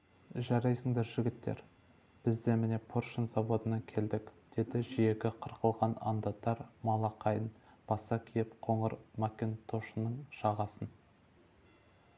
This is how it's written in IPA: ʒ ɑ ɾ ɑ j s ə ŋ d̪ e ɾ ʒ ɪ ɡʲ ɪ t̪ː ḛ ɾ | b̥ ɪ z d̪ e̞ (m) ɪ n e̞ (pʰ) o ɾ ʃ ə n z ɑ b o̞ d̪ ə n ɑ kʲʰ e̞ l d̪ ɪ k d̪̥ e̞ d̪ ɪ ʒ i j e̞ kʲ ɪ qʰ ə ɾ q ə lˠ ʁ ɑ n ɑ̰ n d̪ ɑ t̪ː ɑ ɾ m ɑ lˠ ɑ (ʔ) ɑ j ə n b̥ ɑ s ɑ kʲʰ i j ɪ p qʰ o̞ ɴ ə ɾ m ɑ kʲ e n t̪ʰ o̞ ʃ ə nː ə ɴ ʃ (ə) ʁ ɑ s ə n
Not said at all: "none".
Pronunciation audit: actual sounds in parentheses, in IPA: m, pʰ, q, ɑ

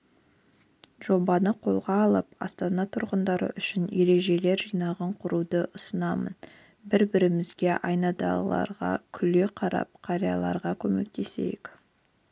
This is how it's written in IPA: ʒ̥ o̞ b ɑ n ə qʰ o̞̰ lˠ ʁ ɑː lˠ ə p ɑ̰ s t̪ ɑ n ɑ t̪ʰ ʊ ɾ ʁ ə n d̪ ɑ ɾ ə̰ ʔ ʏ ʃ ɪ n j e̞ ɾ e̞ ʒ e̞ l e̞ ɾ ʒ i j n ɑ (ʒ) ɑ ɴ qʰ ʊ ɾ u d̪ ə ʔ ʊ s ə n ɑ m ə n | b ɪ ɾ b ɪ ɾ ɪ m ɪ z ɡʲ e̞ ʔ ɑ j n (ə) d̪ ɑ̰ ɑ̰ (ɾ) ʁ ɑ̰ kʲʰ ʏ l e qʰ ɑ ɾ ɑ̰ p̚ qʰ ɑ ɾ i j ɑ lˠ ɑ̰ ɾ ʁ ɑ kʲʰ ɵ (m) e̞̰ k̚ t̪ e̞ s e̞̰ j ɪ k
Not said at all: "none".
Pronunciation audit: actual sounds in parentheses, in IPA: ʁ, ɑ, ɾ, m

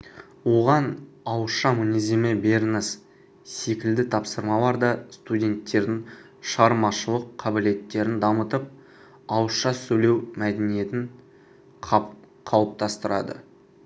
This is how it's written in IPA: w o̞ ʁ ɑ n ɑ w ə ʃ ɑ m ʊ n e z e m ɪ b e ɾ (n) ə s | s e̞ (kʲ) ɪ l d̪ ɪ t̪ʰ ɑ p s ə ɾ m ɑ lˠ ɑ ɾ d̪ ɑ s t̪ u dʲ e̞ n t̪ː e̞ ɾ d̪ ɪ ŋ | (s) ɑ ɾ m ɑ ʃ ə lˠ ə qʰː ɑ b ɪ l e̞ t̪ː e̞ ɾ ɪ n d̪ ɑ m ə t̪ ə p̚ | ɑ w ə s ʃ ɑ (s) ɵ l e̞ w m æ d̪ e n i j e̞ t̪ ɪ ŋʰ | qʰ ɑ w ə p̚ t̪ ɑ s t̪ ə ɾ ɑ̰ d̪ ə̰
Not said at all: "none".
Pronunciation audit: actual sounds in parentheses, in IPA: n, kʲ, ʃ, s

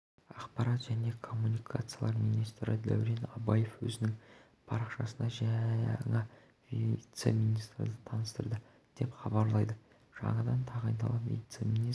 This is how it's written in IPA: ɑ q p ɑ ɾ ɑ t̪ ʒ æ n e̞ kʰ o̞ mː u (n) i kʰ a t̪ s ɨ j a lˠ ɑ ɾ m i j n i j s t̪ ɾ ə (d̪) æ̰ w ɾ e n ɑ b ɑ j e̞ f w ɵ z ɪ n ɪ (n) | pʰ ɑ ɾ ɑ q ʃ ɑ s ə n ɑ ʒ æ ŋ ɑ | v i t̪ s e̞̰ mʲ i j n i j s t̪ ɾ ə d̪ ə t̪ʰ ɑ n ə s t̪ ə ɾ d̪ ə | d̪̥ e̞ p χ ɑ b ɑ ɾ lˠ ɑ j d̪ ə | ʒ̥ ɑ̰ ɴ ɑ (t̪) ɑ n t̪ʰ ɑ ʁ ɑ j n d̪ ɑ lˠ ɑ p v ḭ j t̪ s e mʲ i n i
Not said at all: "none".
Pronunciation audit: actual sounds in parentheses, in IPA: n, d̪, ŋ, d̪

